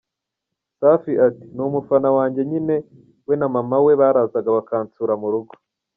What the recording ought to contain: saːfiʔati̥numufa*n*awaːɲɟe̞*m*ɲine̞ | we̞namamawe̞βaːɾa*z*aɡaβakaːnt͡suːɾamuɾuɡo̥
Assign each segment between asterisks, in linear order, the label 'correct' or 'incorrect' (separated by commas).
correct, incorrect, correct